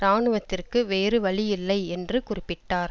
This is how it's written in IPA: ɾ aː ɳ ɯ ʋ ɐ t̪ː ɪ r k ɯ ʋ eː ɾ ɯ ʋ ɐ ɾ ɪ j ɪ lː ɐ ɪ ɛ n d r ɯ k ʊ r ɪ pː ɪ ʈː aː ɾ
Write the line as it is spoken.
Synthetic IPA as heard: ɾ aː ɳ ɯ ʋ ɐ t̪ː ɪ r k ɯ ʋ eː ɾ ɯ ʋ ɐ ɭ ɪ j ɪ lː ɐ ɪ ɛ n d r ɯ k ʊ r ɪ pː ɪ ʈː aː ɾ